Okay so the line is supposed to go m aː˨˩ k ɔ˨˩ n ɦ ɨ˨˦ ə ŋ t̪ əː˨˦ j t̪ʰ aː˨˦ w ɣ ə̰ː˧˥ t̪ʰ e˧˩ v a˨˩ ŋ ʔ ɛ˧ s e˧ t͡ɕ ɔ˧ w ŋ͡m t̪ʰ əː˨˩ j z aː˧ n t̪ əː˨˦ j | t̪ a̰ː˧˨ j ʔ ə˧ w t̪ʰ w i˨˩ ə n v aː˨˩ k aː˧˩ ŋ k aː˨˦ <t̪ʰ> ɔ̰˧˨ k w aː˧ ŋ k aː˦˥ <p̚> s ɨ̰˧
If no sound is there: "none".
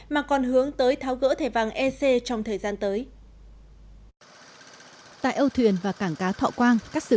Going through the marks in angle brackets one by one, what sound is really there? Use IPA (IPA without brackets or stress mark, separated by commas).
t̪ʰ, k̚